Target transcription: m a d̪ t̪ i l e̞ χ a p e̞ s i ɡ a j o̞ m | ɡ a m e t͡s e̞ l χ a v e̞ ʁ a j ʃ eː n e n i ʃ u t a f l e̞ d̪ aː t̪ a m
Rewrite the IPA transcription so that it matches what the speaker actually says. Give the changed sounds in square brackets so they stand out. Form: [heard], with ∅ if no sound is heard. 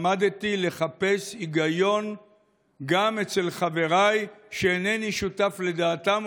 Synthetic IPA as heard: m a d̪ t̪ i l e̞ χ a p e̞ s i ɡ a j o̞ [n] | ɡ a m e t͡s e̞ l χ a v e̞ ʁ a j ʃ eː n e n i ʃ u t a f l e̞ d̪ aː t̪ a m